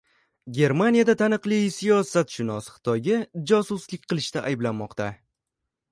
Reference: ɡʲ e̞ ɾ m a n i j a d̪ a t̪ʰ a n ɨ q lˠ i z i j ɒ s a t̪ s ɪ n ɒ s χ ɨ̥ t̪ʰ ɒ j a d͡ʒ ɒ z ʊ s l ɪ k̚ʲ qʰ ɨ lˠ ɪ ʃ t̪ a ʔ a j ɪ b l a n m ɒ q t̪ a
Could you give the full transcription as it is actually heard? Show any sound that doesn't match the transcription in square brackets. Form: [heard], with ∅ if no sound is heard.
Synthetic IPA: ɡʲ e̞ ɾ m a n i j a d̪ a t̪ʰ a n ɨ q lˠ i [s] i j ɒ s a t̪ [ʃ] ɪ n ɒ s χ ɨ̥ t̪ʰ ɒ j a d͡ʒ ɒ [s] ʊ s l ɪ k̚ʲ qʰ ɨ lˠ ɪ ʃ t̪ a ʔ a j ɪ b l a n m ɒ q t̪ a